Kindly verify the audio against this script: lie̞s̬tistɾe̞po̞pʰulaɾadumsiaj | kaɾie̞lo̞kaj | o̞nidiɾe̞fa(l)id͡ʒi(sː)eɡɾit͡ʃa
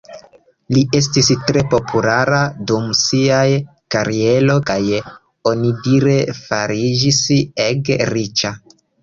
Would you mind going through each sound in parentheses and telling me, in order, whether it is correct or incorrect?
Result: incorrect: ɾ, incorrect: s

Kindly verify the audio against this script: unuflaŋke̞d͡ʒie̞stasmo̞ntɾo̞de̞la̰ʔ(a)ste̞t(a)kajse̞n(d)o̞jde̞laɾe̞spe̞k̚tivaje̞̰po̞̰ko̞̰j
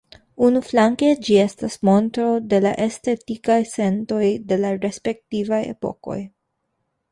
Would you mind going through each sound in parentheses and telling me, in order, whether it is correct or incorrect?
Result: incorrect: e, incorrect: i, incorrect: t

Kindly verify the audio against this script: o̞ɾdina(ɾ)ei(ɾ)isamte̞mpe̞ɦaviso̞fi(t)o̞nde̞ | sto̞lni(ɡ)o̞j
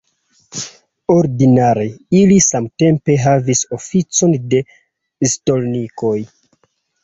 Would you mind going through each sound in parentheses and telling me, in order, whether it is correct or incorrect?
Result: correct, incorrect: l, incorrect: t͡s, incorrect: k

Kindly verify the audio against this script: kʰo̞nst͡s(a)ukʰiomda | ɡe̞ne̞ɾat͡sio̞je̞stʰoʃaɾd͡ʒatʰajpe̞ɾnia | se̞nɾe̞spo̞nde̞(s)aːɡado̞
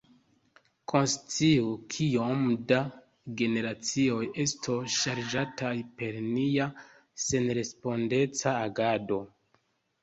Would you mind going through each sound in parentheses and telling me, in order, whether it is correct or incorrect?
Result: incorrect: i, incorrect: t͡s

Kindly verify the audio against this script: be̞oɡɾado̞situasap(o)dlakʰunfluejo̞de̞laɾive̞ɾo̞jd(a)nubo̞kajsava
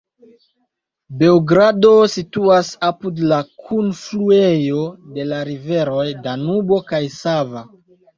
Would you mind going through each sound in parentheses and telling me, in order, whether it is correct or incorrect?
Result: incorrect: u, correct

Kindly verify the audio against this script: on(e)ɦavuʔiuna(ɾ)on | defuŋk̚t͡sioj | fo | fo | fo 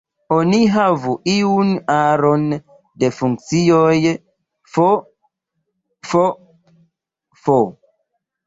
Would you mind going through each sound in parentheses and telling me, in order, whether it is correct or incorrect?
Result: incorrect: i, correct

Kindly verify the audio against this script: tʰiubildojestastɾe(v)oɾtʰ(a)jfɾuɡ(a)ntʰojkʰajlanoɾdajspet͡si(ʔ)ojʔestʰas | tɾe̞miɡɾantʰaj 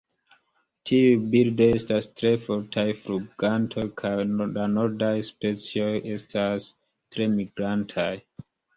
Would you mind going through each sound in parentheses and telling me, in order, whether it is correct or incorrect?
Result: incorrect: f, correct, correct, incorrect: none

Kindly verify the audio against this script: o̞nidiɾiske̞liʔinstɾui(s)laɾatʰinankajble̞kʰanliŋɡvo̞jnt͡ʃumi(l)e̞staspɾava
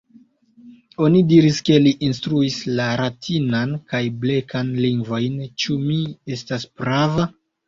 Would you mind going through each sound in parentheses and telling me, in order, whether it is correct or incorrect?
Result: correct, incorrect: none

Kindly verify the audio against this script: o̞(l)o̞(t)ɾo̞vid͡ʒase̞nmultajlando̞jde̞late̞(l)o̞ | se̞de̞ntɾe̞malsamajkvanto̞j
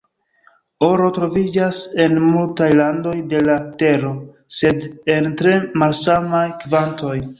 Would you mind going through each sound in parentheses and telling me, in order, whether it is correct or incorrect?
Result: incorrect: ɾ, correct, incorrect: ɾ

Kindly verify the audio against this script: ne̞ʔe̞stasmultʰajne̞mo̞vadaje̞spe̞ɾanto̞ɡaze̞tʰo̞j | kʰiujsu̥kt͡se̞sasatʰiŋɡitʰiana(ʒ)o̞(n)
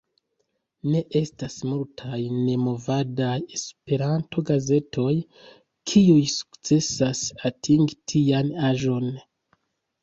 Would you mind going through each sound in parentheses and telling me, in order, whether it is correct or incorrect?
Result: correct, correct

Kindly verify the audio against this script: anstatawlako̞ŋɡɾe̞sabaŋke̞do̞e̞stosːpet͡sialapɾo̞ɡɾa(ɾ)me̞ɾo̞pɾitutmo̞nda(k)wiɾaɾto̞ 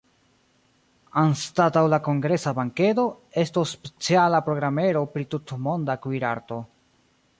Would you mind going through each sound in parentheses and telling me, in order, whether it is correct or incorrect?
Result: incorrect: none, correct

